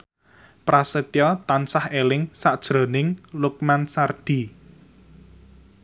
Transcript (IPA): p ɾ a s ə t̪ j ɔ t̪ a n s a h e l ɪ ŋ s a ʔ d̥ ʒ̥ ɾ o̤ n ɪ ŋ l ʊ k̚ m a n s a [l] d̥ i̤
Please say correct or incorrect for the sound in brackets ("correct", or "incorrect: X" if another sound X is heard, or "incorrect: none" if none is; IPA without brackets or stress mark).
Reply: incorrect: r